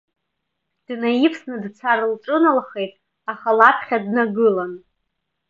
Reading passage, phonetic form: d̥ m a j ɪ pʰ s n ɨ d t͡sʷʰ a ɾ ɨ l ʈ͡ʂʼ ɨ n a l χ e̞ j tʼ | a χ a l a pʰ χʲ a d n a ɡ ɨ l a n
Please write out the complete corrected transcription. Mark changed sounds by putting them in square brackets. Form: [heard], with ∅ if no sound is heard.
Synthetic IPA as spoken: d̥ [n] a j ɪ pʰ s n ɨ d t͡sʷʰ a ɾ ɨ l ʈ͡ʂʼ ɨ n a l χ e̞ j tʼ | a χ a l a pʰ χʲ a d n a ɡ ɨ l a n